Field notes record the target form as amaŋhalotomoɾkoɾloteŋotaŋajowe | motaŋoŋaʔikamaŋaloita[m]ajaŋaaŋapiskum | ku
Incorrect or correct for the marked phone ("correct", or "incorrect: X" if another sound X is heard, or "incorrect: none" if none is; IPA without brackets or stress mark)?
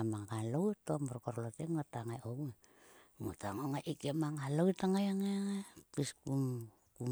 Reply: incorrect: ŋ